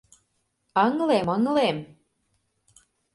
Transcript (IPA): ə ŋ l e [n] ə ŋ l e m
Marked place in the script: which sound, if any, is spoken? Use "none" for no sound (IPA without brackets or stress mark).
m